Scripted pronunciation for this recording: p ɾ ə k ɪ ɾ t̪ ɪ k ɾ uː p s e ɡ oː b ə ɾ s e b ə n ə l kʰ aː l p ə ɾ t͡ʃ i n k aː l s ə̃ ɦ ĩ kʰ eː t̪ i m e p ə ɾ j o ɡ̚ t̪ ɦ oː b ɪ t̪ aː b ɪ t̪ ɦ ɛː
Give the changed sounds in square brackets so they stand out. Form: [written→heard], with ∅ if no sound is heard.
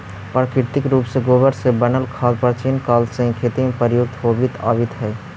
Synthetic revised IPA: p ɾ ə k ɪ ɾ t̪ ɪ k ɾ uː p s e ɡ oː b ə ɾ s e b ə n ə l kʰ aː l p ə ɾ t͡ʃ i n k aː l s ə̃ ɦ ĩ kʰ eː t̪ i m e p ə ɾ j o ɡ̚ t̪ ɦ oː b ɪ t̪ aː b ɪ t̪ ɦ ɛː

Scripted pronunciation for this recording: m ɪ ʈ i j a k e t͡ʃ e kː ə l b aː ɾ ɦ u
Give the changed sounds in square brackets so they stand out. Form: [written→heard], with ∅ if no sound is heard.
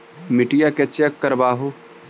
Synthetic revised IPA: m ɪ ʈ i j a k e t͡ʃ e kː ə [l→ɾ] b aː [ɾ→∅] ɦ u

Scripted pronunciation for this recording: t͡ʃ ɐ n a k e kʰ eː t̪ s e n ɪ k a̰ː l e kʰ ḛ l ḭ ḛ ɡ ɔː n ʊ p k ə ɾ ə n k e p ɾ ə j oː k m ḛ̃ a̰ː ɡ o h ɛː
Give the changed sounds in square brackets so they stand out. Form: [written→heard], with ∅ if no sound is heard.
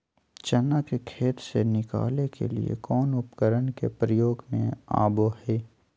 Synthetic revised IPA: t͡ʃ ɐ n a k e kʰ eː t̪ s e n ɪ k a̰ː l e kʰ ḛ l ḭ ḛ [ɡ→k] ɔː n ʊ p k ə ɾ ə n k e p ɾ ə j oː [k→ɡ] m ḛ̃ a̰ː [ɡ→b] o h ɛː

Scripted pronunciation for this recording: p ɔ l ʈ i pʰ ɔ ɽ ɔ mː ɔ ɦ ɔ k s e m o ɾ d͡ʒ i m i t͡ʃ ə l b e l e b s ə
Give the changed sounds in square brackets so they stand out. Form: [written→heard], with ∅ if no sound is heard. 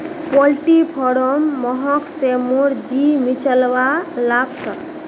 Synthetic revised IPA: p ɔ l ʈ i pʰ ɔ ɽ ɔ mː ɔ ɦ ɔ k s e m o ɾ d͡ʒ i m i t͡ʃ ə l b [e→a] l [e→a] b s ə

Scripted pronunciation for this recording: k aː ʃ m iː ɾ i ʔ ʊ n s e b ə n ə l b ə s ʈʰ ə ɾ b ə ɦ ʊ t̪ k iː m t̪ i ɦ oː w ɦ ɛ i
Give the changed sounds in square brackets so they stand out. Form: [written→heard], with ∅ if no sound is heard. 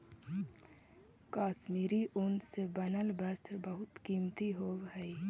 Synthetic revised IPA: k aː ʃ m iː ɾ i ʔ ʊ n s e b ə n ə l b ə s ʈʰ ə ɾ b ə ɦ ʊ t̪ k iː m t̪ i ɦ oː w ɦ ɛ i

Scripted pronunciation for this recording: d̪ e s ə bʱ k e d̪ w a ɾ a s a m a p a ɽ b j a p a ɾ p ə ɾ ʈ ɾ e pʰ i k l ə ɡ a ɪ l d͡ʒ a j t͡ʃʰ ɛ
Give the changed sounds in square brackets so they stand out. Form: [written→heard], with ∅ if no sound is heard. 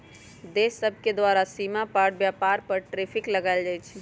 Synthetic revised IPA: d̪ e s ə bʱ k e d̪ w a ɾ a s [a→i] m a p a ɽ b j a p a ɾ p ə ɾ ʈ ɾ e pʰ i k l ə ɡ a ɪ l d͡ʒ a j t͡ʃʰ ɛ

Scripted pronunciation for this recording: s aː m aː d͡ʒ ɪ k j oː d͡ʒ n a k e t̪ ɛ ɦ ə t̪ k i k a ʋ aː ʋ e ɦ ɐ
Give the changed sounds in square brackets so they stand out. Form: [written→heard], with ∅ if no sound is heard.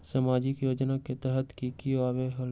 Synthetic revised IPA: s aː m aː d͡ʒ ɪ k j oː d͡ʒ n a k e t̪ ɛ ɦ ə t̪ k i k [a→i] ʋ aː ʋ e ɦ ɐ

